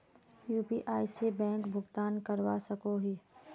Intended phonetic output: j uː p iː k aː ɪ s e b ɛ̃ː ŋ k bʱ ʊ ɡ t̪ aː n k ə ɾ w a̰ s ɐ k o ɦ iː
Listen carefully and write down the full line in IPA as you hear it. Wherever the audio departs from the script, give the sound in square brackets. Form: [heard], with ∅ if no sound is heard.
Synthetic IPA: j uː p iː [ʔ] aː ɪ s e b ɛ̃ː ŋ k bʱ ʊ ɡ t̪ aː n k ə ɾ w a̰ s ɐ k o ɦ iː